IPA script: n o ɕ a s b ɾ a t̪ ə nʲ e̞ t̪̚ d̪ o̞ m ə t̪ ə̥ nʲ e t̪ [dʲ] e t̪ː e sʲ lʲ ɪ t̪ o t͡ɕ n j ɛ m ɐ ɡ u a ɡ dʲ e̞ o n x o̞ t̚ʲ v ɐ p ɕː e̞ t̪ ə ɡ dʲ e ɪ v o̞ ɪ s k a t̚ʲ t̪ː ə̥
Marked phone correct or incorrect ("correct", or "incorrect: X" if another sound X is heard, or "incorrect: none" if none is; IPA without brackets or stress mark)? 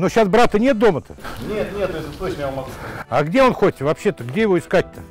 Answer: incorrect: nʲ